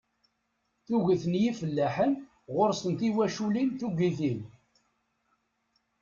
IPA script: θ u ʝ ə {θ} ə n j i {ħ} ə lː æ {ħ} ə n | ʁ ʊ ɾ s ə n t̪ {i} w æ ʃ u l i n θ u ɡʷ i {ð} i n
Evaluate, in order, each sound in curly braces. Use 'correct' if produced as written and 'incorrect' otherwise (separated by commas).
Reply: correct, incorrect, correct, correct, incorrect